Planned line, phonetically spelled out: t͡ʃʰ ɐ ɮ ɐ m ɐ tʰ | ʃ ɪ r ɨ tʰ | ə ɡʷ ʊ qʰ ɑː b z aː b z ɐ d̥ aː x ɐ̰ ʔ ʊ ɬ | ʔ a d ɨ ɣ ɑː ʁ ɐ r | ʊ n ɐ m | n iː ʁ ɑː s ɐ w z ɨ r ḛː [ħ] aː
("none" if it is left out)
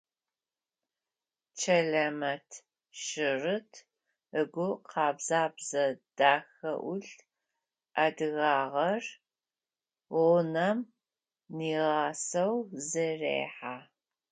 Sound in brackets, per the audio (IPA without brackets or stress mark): ħ